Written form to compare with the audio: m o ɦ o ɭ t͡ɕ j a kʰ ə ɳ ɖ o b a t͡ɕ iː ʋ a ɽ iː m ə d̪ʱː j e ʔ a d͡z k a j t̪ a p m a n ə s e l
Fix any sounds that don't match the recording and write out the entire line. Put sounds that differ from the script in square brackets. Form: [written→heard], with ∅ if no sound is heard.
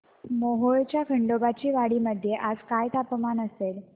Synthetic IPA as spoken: m o ɦ o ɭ t͡ɕ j a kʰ ə ɳ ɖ o b a t͡ɕ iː ʋ a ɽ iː m ə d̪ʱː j e ʔ a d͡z k a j t̪ a p m a n ə s e l